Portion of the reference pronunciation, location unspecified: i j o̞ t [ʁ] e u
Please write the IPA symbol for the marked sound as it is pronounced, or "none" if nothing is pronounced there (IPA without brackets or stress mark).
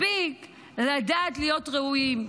ʁ